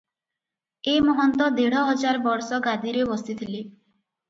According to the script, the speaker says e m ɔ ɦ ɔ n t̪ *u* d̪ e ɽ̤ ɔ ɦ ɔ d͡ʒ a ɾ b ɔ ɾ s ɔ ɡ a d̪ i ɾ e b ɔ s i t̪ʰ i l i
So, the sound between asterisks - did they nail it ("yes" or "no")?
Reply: no